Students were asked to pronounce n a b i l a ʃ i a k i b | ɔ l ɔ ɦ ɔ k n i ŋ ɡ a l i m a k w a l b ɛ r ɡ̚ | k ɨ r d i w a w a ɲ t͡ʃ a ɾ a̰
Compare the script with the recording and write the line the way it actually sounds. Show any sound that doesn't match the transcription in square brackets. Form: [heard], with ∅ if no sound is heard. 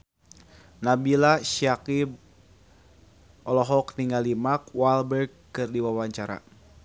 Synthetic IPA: n a b i l a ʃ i a k i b | ɔ l ɔ ɦ ɔ k n i ŋ ɡ a l i m a k w a l b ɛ r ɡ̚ | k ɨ r d i w a w a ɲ t͡ʃ a ɾ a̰